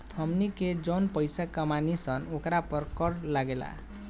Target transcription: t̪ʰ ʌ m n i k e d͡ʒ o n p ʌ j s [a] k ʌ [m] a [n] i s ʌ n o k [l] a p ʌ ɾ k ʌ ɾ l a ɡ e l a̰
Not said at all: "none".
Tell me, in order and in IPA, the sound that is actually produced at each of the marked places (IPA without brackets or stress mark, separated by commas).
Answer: a, m, n, ɾ